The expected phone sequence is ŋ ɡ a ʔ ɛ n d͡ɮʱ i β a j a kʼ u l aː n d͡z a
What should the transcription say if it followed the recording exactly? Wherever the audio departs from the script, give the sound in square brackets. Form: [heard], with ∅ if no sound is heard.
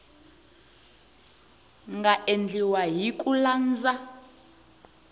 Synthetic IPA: ŋ ɡ a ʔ [e] n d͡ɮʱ i [w] a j [i] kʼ u l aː n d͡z a